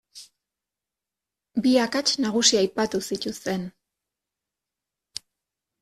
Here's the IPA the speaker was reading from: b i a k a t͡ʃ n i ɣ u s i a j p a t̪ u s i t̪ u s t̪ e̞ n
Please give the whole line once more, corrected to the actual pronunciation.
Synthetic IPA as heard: b i a k a t͡ʃ n a ɣ u s i a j p a t̪ u s i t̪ u s t̪ e̞ n